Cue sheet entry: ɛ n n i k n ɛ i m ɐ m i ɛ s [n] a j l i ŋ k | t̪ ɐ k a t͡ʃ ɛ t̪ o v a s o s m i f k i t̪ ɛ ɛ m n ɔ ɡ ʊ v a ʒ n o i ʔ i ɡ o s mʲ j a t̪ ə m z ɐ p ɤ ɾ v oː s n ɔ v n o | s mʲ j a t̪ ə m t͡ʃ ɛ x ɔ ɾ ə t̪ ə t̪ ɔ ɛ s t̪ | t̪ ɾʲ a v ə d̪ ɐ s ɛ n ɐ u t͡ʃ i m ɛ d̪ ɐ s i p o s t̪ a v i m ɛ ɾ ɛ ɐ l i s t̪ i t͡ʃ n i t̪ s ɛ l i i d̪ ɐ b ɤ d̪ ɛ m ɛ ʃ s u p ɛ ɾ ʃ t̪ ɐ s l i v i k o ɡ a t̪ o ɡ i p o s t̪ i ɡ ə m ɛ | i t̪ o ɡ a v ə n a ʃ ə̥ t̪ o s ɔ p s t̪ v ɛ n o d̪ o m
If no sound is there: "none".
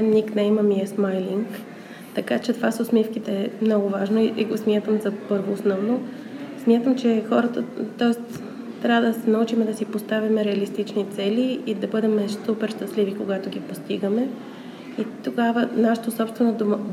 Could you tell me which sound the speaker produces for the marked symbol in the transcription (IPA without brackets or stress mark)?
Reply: m